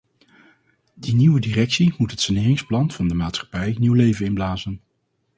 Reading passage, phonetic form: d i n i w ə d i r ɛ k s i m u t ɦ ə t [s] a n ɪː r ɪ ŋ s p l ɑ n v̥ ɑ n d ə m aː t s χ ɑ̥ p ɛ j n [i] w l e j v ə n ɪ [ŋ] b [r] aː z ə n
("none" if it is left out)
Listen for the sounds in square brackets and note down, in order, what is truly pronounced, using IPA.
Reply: s, i, n, l

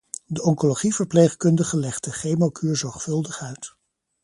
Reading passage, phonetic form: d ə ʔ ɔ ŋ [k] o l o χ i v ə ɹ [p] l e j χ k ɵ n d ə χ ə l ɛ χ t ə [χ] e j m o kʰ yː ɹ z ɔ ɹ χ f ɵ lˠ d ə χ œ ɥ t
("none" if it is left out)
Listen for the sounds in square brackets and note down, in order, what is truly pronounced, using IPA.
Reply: k, p, χ

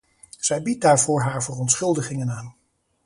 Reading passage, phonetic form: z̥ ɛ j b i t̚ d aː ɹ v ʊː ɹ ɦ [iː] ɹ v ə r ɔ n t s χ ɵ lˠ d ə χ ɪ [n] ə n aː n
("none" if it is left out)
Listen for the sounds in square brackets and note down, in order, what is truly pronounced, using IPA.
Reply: aː, ŋ

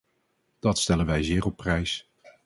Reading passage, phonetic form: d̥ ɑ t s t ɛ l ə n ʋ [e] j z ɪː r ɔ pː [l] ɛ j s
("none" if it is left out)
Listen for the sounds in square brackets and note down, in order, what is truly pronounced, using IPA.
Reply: ɛ, r

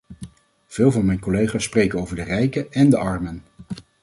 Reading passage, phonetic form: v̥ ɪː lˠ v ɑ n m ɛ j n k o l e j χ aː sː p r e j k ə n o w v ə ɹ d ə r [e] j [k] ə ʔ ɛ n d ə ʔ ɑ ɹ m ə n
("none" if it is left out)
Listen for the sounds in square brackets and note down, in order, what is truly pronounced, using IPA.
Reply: ɛ, k

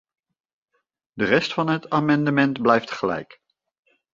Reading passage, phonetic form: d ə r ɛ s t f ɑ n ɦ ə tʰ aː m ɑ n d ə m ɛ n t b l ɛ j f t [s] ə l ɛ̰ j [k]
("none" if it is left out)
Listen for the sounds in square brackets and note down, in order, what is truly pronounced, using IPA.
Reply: χ, k

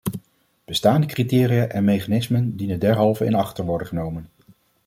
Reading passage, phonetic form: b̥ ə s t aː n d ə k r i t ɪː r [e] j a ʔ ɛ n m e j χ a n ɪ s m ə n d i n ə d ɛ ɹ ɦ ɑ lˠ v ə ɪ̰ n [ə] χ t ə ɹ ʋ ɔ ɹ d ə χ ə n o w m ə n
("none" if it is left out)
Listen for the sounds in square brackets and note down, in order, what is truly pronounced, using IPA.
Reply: i, ɑ

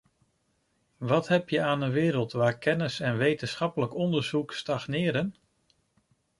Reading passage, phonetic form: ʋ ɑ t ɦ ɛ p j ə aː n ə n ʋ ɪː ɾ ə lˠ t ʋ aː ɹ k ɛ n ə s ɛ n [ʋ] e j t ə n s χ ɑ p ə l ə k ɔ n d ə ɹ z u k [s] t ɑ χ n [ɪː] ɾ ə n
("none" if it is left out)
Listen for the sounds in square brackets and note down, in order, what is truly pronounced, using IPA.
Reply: ʋ, s, ɪː

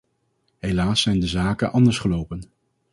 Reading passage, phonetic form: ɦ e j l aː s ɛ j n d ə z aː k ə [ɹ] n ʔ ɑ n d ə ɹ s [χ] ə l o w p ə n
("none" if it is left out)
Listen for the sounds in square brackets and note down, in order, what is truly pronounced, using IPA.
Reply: none, χ

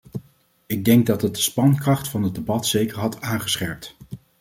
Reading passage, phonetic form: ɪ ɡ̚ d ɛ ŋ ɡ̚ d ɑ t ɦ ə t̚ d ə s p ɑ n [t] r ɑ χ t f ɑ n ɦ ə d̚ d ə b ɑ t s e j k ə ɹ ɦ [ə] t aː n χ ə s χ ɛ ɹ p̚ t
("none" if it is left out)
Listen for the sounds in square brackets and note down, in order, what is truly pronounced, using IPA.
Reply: k, ɑ

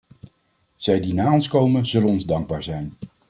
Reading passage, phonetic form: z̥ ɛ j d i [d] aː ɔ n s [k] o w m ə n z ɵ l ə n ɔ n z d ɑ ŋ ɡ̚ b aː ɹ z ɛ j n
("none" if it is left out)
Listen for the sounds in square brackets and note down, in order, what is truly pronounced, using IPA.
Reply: n, k

